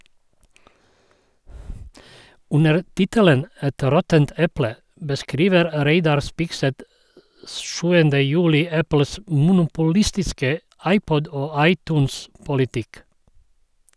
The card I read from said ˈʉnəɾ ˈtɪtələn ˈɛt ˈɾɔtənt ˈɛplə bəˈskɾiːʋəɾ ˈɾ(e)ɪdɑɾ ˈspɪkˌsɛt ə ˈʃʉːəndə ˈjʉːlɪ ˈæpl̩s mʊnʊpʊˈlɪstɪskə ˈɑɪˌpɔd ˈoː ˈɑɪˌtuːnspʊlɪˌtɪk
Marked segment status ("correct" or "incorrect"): correct